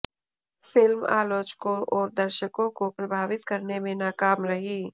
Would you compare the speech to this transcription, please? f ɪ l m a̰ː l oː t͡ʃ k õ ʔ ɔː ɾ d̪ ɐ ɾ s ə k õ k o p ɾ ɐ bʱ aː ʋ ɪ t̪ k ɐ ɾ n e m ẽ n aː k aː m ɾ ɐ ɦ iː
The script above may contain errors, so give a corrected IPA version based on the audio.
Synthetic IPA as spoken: f ɪ l m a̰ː l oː t͡ʃ k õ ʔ ɔː ɾ d̪ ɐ ɾ ʃ ə k õ k o p ɾ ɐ bʱ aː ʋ ɪ t̪ k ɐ ɾ n e m ẽ n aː k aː m ɾ ɐ ɦ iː